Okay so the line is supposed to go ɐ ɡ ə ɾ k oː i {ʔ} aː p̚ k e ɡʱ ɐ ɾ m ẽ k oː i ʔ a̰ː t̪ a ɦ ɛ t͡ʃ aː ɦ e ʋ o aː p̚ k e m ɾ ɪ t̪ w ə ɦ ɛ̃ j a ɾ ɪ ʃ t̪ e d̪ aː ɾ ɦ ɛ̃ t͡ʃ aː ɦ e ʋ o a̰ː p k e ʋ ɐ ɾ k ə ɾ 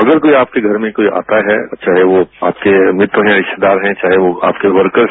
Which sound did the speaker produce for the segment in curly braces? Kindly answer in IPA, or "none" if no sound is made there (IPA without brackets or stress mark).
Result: none